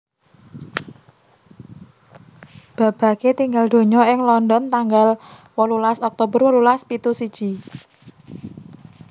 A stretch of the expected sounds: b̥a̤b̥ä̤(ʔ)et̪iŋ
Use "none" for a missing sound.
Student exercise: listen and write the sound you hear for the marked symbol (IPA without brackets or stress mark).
k